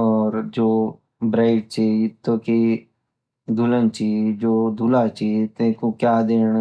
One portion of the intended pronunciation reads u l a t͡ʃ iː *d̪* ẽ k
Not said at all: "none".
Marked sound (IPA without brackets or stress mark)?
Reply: t̪